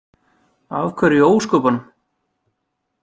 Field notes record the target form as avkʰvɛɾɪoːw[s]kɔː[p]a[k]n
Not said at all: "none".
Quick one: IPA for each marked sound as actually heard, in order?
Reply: s, p, none

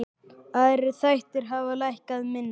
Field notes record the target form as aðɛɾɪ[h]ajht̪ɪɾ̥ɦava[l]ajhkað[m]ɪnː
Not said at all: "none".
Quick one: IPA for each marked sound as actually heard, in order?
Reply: θ, l, m

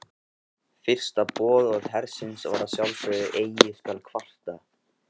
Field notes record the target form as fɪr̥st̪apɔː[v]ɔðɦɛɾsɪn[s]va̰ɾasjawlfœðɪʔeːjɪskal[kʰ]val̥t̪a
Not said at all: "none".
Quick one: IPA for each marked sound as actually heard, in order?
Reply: ð, s, kʰ

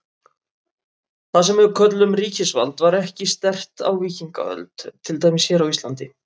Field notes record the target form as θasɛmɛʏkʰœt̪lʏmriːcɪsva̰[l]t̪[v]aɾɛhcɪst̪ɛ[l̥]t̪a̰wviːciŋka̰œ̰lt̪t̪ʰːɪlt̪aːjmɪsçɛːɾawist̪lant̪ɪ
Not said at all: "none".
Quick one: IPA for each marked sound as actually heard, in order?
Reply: l, v, r̥

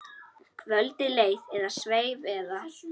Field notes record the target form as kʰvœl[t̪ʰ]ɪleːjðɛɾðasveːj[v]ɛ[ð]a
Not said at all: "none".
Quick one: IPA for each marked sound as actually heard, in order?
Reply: t̪, v, ð

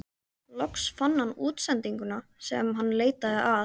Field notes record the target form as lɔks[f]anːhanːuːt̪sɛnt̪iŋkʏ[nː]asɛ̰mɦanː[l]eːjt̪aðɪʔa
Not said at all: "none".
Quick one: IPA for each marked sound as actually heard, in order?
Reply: f, n, l

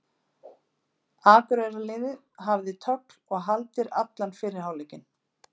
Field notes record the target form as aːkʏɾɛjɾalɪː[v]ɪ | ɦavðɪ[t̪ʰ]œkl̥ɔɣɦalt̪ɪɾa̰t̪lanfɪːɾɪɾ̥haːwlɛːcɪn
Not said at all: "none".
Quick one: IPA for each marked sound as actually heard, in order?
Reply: ð, t̪ʰ

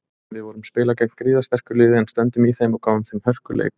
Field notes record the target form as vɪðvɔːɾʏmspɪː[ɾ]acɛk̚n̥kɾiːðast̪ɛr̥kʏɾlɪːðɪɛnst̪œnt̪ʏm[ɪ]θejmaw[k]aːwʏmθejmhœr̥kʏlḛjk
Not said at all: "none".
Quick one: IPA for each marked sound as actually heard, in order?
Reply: l, i, k

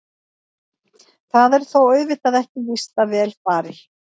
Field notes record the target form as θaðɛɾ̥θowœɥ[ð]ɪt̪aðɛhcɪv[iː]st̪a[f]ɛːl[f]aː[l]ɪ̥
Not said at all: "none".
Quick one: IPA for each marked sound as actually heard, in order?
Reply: v, i, v, f, ɾ

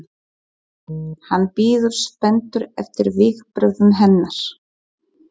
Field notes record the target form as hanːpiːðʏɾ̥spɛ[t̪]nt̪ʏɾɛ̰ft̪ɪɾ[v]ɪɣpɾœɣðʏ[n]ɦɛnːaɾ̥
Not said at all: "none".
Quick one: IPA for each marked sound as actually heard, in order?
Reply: none, v, n

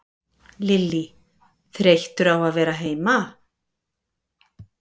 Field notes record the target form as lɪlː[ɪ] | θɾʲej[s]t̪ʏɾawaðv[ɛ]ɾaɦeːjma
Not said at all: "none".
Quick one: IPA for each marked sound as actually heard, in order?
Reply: i, h, ɛː

